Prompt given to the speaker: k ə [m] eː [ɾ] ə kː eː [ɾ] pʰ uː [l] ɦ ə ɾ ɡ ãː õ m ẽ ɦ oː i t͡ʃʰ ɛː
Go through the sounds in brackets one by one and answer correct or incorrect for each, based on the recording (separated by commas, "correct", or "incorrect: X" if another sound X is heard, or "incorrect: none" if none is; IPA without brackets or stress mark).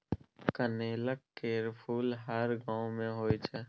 incorrect: n, incorrect: l, correct, correct